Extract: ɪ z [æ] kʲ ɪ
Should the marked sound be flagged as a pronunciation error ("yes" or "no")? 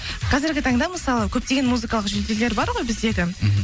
yes